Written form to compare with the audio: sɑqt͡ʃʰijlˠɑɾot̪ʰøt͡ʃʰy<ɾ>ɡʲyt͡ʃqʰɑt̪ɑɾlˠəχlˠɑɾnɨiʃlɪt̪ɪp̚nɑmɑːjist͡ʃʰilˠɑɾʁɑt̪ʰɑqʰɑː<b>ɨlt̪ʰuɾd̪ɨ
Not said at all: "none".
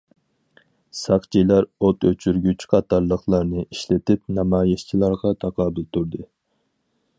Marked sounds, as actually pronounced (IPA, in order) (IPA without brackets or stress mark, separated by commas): ɾ, b